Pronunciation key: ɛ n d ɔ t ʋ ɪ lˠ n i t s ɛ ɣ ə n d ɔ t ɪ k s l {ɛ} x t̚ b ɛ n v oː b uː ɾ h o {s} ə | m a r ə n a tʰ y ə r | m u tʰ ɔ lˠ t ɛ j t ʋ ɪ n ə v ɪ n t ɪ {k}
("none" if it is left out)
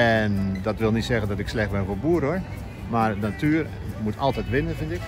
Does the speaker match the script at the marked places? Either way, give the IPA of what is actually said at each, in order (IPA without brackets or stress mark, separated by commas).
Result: ɛ, none, k